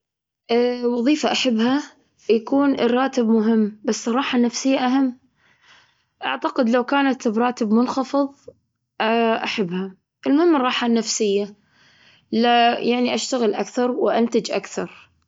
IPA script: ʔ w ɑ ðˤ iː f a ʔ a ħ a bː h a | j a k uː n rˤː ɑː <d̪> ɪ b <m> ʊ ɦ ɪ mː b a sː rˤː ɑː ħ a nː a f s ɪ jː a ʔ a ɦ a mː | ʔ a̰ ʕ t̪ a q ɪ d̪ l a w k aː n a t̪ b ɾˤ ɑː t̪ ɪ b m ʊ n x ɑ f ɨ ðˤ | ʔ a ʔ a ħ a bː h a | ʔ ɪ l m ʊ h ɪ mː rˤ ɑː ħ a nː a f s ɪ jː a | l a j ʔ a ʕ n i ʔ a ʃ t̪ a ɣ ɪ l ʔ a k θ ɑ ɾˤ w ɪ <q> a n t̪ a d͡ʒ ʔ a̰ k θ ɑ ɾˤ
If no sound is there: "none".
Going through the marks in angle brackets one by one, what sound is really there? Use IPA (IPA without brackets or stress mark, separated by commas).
t̪, m, ʔ